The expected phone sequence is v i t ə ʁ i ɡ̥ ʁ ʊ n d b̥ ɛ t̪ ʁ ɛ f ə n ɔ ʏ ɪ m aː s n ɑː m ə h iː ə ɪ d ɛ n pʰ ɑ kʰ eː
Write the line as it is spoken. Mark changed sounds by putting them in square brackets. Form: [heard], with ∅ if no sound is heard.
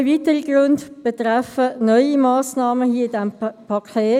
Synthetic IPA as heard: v i t ə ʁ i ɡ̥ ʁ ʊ n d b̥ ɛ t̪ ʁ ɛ f ə n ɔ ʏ [i] m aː s n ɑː m ə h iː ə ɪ d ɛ [m] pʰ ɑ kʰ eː